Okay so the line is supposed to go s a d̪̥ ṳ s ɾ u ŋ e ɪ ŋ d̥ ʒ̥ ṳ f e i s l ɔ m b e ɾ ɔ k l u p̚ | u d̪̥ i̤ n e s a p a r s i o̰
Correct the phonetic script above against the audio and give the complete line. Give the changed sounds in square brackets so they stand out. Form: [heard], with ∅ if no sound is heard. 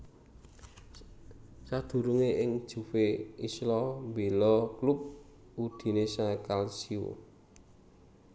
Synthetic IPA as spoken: s a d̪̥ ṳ [∅] ɾ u ŋ e ɪ ŋ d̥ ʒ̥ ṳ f e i s l ɔ m b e [l] ɔ k l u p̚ | u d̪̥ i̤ n e s a [k] a [l] s i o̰